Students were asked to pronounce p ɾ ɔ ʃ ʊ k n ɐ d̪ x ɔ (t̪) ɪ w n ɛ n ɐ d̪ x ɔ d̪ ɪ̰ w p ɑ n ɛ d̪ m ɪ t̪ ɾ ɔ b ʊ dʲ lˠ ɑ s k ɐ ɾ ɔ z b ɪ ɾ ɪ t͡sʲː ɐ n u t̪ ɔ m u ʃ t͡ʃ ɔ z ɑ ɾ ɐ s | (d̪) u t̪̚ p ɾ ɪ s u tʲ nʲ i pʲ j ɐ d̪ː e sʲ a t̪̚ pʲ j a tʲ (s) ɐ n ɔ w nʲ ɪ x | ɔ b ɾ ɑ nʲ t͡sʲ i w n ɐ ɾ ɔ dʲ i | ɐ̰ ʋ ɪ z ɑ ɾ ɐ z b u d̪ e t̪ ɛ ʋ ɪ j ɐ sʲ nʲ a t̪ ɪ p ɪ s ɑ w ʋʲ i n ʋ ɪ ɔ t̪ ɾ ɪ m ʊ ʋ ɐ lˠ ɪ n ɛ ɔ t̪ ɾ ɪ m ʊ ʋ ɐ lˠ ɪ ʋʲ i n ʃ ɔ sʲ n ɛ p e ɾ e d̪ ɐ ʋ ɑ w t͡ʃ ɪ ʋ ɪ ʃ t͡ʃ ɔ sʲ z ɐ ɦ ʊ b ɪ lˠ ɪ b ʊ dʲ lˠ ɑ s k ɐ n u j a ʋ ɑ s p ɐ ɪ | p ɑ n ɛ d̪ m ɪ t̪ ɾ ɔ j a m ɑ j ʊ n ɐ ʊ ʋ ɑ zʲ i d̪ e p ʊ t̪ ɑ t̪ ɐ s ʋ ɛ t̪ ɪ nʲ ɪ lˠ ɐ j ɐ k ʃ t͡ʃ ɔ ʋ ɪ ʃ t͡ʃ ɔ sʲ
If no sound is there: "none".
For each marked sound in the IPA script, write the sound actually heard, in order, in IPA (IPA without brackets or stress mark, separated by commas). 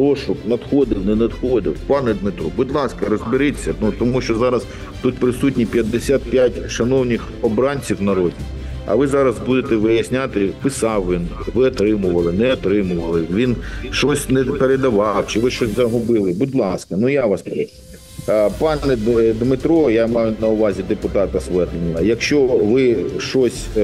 d̪, t̪, ʃ